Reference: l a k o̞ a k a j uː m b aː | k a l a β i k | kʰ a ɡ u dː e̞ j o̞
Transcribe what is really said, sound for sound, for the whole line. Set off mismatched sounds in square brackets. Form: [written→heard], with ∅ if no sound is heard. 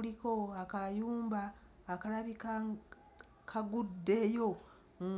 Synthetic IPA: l [a→i] k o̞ a k a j uː m b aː | k a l a β i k | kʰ a ɡ u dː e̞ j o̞